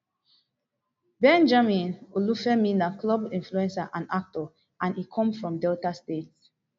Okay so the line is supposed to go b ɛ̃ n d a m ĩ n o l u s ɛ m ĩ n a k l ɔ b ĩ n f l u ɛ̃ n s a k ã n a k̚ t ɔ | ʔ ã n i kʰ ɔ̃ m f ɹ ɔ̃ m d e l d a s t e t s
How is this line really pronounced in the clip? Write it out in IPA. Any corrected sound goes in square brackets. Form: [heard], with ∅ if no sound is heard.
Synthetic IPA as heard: b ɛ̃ n [d͡ʒ] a m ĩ n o l u [f] ɛ m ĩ n a k l ɔ b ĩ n f l u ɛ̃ n s a [ʔ] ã n a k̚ t ɔ | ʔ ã n i kʰ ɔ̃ m f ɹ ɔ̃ m d [ɛ] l [t] a s t e t s